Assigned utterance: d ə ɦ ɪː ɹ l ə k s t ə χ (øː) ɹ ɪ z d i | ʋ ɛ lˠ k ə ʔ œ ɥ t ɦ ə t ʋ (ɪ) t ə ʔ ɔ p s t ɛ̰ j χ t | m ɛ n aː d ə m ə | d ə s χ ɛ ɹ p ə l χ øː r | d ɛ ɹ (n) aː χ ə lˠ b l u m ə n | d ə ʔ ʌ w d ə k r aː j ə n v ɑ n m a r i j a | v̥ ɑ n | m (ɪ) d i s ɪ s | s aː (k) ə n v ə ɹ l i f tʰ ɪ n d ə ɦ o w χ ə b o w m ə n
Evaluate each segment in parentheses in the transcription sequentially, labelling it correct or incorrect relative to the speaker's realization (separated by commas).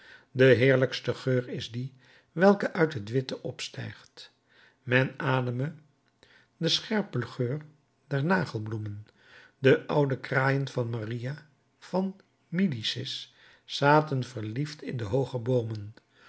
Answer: correct, correct, correct, incorrect, incorrect